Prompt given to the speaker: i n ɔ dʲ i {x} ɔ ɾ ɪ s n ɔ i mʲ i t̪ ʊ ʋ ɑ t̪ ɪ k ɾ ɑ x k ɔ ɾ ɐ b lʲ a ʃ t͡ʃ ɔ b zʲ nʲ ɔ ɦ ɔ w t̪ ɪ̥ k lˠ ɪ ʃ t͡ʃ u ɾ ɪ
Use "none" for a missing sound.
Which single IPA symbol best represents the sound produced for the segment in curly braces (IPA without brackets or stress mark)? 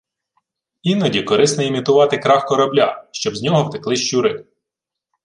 k